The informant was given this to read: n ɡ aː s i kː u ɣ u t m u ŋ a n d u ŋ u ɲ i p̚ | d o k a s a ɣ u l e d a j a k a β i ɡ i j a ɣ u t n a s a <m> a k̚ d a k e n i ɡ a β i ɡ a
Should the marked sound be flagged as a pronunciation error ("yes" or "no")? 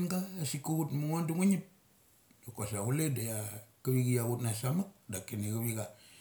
no